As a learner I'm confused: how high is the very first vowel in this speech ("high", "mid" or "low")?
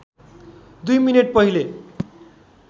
high